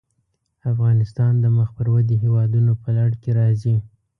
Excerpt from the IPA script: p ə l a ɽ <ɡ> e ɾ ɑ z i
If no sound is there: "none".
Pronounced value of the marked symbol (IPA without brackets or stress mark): k